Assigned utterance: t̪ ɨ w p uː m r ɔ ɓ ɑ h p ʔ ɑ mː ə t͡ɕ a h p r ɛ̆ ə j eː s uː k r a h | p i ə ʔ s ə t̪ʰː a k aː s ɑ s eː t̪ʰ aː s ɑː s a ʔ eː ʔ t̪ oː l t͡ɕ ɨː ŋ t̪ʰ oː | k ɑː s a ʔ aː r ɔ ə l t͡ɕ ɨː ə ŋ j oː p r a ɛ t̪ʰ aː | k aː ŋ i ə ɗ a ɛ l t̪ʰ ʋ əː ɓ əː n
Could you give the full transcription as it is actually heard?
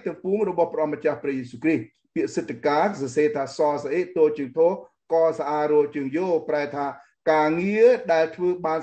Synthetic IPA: t̪ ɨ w p uː m r ɔ ɓ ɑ h p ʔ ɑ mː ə t͡ɕ a h p r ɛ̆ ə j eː s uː k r i h | p i ə ʔ s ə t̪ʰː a k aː s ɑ s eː t̪ʰ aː s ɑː s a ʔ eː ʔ t̪ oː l t͡ɕ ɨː ŋ t̪ʰ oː | k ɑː s a ʔ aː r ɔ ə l t͡ɕ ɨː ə ŋ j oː p r a ɛ t̪ʰ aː | k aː ŋ i ə ɗ a ɛ l t̪ʰ ʋ əː ɓ aː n

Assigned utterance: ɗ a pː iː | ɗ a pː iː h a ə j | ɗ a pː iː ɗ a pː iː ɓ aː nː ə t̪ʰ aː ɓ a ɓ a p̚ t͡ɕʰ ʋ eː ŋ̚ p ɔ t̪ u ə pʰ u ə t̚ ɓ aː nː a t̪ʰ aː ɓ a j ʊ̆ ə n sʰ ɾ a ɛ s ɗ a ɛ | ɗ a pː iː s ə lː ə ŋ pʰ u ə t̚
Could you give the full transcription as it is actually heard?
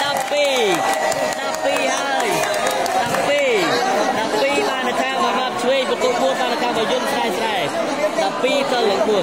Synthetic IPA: ɗ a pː iː | ɗ a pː iː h a ə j | ɗ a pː iː ɗ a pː iː ɓ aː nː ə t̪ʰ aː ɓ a ɓ a p̚ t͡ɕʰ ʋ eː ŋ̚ p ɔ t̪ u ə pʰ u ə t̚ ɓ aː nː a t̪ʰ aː ɓ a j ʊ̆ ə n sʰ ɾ a ɛ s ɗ a ɛ | ɗ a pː iː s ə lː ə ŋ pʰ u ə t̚

